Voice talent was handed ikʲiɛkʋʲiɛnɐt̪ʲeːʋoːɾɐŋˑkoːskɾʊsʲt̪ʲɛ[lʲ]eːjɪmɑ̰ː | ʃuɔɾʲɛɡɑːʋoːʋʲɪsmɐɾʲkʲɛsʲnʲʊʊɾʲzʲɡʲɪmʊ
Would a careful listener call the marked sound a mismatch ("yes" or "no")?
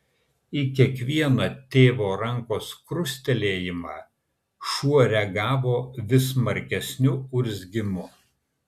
no